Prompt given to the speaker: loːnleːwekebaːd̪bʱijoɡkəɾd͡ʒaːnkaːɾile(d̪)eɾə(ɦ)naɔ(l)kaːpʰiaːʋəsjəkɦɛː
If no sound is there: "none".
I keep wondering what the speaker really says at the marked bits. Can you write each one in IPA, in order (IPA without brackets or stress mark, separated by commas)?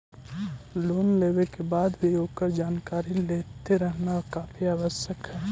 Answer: t̪, ɦ, ɾ